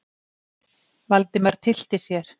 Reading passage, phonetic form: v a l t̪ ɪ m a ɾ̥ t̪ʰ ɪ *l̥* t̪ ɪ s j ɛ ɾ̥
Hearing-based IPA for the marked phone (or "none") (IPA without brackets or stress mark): l̥